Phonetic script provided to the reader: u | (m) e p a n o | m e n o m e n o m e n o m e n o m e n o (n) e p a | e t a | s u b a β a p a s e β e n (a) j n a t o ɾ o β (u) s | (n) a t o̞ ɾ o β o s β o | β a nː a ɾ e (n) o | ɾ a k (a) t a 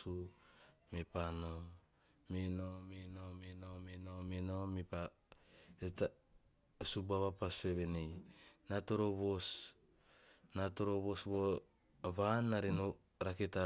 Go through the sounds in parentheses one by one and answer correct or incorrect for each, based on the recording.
correct, incorrect, incorrect, incorrect, correct, correct, incorrect

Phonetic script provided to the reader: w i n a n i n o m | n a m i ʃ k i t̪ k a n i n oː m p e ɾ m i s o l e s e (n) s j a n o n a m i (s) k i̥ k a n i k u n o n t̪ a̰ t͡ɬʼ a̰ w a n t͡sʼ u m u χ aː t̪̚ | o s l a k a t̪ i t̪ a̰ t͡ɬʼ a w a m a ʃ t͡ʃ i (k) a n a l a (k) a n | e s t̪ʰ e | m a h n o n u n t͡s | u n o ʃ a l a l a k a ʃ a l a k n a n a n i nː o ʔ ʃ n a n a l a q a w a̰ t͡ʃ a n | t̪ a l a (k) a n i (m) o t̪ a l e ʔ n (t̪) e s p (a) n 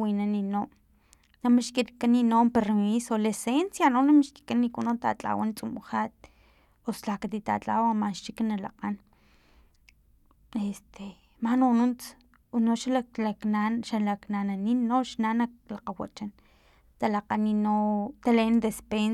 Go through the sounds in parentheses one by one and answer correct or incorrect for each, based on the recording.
correct, incorrect, correct, incorrect, incorrect, incorrect, incorrect, incorrect

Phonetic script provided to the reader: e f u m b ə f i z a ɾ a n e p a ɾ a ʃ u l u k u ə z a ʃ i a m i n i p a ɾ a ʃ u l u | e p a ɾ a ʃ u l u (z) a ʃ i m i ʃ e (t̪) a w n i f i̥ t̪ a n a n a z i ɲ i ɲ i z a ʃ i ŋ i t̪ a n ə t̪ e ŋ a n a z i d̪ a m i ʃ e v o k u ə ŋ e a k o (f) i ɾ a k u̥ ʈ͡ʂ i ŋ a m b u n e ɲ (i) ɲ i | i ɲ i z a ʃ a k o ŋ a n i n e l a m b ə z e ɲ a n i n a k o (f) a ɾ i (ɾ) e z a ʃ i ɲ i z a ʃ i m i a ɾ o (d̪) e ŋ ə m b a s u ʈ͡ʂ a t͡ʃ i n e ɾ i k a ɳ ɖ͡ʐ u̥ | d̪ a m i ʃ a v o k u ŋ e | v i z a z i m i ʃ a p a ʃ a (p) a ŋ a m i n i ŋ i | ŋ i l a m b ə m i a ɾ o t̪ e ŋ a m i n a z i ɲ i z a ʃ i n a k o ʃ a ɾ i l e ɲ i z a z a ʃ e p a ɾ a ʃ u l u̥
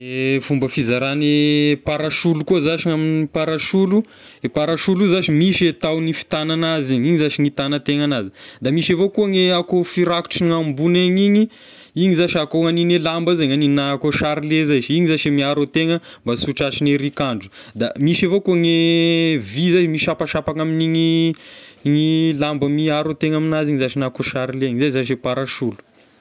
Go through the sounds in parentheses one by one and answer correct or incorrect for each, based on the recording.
correct, correct, correct, correct, incorrect, incorrect, incorrect, correct

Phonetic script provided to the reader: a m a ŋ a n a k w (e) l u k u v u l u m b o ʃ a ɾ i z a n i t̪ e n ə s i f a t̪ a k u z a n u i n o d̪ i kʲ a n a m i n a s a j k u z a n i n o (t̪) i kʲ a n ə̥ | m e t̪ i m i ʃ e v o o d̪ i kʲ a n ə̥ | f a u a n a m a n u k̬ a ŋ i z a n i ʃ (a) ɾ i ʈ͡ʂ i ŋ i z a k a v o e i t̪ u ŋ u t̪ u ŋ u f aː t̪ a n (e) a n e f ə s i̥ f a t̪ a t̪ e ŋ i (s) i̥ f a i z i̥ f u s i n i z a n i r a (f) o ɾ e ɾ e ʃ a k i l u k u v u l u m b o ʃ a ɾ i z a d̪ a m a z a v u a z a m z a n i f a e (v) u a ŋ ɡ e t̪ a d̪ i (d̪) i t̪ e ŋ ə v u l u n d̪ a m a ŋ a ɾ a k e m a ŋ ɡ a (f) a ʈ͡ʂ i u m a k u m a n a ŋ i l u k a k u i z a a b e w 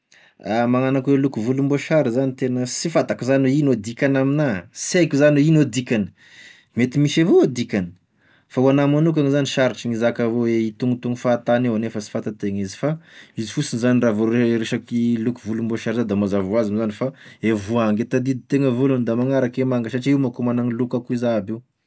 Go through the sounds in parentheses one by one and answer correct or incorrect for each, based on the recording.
correct, incorrect, correct, correct, incorrect, incorrect, correct, correct, incorrect

